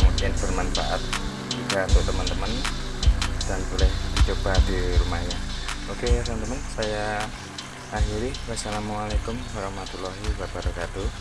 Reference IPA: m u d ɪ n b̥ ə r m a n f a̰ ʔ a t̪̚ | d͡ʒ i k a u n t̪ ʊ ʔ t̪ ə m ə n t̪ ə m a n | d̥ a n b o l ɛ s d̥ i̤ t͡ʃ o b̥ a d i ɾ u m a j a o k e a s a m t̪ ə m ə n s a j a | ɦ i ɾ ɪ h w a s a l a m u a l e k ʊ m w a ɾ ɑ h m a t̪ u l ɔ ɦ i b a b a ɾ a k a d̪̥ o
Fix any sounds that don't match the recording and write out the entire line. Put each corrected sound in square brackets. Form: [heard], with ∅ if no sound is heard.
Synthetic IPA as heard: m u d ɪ n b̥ ə r m a n f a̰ ʔ a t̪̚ | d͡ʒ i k a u n t̪ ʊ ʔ t̪ ə m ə n t̪ ə m [ə] n | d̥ a n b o l ɛ [h] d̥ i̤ t͡ʃ o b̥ a d i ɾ u m a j a o k e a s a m t̪ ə m ə n s a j a | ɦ i ɾ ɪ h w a s a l a m u a l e k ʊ m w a ɾ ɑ h m a t̪ u l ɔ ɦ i b a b a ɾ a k a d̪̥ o